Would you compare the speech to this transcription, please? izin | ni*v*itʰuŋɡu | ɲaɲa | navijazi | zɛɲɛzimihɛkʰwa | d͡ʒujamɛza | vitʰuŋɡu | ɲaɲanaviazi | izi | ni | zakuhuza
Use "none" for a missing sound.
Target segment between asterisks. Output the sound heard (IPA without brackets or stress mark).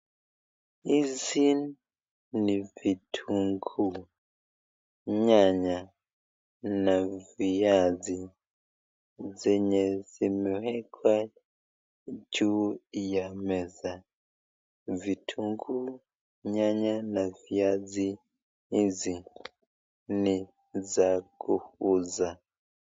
v